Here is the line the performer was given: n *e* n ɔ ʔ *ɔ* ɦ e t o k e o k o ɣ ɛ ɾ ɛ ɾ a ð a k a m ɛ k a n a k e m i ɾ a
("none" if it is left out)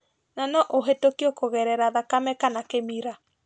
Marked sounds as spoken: a, o

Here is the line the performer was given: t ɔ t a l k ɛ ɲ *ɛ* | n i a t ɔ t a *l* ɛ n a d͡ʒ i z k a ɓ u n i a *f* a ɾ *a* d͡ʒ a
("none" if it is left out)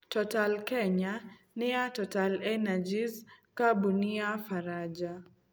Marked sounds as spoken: a, l, f, a

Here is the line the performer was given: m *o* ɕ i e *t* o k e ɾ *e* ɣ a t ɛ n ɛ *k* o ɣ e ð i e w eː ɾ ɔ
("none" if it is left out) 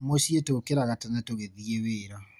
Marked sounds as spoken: o, t, a, t

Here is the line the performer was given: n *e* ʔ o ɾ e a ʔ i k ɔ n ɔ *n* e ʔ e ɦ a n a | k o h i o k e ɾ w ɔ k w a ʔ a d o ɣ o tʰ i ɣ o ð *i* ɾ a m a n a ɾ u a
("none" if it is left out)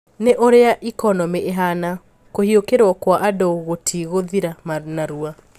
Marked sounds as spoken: e, m, i

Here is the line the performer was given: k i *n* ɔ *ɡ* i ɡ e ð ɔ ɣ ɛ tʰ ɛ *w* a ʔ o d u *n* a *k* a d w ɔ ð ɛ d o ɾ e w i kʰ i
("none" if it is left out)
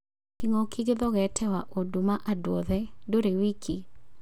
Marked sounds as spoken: ŋ, k, w, m, ʔ

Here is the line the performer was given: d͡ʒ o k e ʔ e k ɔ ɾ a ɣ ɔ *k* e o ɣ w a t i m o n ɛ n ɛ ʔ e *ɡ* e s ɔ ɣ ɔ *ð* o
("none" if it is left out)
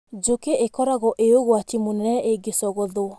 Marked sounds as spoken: ʔ, ɡ, ð

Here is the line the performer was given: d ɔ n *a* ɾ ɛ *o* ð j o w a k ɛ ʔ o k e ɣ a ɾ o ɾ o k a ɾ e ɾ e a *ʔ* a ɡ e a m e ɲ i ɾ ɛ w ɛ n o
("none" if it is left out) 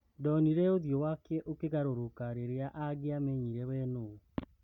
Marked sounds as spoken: i, o, ʔ

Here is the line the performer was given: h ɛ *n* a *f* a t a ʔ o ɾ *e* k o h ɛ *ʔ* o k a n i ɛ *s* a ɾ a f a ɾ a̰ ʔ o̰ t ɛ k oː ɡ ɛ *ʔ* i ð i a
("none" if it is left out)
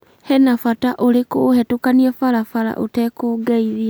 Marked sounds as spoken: n, f, e, t, f, none

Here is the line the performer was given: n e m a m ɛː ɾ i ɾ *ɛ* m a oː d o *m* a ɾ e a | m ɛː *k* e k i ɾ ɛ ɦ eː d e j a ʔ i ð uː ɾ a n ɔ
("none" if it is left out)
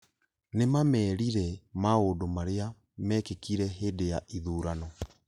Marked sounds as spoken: ɛ, m, k

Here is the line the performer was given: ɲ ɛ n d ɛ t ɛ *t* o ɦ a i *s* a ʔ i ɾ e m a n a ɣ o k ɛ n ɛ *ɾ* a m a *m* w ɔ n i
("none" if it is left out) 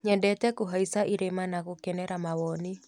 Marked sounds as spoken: k, s, ɾ, none

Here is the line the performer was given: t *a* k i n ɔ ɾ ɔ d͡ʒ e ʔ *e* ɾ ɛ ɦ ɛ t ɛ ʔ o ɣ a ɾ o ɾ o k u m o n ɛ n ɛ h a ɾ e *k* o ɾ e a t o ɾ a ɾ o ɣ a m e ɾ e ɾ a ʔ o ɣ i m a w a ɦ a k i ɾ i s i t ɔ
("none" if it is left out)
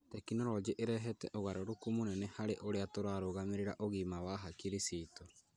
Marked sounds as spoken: ɛ, e, ʔ

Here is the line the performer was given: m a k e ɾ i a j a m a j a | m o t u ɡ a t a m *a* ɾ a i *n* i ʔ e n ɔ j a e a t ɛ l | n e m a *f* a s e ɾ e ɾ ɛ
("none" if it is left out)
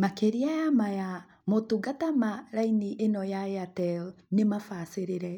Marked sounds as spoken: a, n, f

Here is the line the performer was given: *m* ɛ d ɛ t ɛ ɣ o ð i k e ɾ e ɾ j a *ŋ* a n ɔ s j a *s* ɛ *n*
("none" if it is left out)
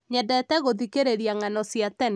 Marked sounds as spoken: ɲ, ŋ, t, n

